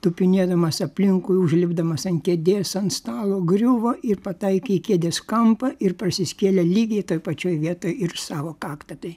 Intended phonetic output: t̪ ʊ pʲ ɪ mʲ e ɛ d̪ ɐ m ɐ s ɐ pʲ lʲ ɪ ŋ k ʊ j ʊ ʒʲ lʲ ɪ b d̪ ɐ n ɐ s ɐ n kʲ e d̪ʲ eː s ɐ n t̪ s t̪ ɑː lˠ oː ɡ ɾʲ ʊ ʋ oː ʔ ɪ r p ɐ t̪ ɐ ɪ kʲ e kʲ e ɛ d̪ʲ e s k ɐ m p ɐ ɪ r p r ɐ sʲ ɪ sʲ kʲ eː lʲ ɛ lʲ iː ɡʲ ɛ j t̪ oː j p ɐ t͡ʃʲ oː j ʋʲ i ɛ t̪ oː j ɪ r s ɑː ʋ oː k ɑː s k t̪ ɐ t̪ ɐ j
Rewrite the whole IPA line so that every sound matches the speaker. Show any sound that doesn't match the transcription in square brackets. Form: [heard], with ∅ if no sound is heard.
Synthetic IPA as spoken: t̪ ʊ pʲ ɪ [nʲ] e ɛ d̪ ɐ m ɐ s ɐ pʲ lʲ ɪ ŋ k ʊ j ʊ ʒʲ lʲ ɪ b d̪ ɐ [m] ɐ s ɐ n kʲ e d̪ʲ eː s ɐ n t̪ s t̪ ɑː lˠ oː ɡ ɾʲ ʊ ʋ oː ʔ ɪ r p ɐ t̪ ɐ ɪ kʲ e kʲ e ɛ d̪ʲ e s k ɐ m p ɐ ɪ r p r ɐ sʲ ɪ sʲ kʲ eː lʲ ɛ lʲ iː ɡʲ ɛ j t̪ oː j p ɐ t͡ʃʲ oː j ʋʲ i ɛ t̪ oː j ɪ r s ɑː ʋ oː k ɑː [∅] k t̪ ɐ t̪ ɐ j